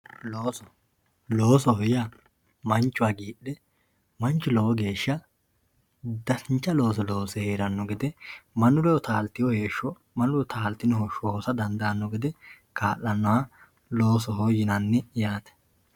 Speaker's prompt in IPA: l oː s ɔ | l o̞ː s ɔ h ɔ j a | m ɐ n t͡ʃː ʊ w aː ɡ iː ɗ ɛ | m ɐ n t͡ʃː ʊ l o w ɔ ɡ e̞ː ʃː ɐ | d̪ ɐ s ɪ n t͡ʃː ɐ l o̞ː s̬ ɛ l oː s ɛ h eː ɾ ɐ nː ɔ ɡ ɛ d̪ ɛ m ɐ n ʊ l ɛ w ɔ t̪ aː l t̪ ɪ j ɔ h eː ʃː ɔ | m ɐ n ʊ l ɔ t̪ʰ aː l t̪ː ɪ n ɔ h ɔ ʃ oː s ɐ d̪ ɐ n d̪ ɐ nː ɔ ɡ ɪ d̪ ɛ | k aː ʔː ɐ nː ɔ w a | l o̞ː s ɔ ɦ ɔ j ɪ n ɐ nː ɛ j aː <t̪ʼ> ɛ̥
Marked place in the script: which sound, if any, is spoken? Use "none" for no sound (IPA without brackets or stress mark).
t̪